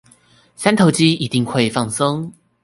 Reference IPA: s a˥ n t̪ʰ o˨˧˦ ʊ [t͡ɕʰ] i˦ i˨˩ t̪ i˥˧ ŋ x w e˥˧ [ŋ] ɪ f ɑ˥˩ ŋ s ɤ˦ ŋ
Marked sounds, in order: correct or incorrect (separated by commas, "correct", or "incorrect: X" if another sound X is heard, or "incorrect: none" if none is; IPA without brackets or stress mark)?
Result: incorrect: t͡ɕ, incorrect: none